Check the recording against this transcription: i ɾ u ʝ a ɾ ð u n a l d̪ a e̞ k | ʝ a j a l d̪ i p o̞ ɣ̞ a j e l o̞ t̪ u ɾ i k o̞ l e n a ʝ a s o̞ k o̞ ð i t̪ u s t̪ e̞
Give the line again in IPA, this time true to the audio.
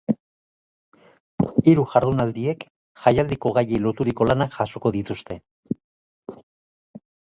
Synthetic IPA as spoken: i ɾ u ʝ a ɾ ð u n a l d̪ i e̞ k | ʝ a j a l d̪ i k o̞ ɣ̞ a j e l o̞ t̪ u ɾ i k o̞ l a n a ʝ a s o̞ k o̞ ð i t̪ u s t̪ e̞